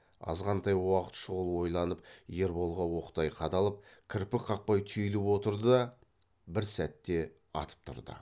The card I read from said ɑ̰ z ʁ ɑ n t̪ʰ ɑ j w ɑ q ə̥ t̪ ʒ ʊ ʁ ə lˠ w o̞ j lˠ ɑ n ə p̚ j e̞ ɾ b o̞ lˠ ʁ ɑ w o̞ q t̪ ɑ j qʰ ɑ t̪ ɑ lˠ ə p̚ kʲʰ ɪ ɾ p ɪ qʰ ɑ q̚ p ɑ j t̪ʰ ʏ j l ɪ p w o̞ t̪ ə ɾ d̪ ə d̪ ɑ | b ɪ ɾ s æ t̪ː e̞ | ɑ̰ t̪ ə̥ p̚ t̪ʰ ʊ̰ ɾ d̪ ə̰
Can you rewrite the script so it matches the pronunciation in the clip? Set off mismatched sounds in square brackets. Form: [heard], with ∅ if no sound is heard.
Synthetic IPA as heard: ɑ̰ z ʁ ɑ n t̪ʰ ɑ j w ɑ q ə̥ t̪ [ʃ] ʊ ʁ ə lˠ w o̞ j lˠ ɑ n ə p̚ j e̞ ɾ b o̞ lˠ ʁ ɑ w o̞ q t̪ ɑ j qʰ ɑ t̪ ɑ lˠ ə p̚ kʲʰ ɪ ɾ p ɪ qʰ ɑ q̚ p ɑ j t̪ʰ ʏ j l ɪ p w o̞ t̪ ə ɾ d̪ ə d̪ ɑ | b ɪ ɾ s æ t̪ː e̞ | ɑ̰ t̪ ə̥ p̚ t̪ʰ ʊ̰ ɾ d̪ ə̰